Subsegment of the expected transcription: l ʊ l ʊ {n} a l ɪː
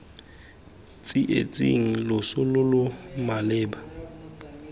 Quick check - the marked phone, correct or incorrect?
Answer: incorrect